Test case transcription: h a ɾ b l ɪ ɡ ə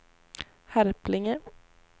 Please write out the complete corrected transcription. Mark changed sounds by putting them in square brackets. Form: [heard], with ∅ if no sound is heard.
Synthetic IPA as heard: h [æ] ɾ [p] l ɪ [ŋ] ə